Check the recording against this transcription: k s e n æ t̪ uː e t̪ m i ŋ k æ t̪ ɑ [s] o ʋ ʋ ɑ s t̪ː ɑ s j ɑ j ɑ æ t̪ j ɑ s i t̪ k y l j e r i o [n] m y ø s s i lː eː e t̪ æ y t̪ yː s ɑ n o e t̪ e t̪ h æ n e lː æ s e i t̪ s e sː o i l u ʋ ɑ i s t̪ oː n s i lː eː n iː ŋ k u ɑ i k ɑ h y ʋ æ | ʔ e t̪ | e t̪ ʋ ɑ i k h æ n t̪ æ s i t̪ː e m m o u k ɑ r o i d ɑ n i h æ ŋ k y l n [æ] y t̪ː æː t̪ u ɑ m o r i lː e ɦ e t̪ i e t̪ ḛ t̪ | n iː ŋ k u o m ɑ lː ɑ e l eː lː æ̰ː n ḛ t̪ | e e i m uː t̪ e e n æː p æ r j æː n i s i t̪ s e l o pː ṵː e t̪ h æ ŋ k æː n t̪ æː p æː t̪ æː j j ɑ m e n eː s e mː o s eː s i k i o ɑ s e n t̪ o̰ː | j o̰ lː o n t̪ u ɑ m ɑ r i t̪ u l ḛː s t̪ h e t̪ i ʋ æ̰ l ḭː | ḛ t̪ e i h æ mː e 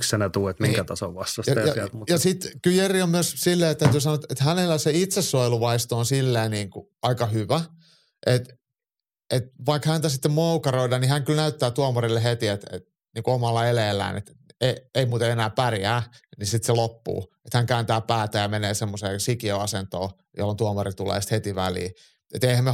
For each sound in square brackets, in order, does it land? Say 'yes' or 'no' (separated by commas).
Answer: yes, no, yes